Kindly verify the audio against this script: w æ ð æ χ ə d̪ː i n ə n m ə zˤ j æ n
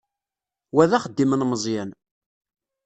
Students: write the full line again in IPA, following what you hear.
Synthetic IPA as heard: w æ ð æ χ ə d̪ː i m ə n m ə zˤ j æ n